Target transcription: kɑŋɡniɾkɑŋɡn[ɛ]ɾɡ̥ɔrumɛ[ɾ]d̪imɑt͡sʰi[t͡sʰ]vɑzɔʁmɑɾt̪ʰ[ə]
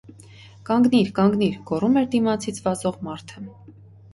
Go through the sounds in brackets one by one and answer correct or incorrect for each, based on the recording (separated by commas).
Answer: incorrect, correct, correct, correct